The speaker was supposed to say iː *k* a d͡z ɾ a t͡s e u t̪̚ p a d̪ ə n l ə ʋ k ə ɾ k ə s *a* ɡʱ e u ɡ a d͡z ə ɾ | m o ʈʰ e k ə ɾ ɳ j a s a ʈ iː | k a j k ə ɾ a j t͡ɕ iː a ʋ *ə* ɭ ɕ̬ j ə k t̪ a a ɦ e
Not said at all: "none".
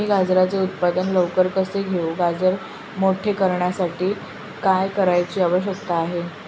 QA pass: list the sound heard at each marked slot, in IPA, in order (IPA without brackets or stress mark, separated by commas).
ɡ, e, ə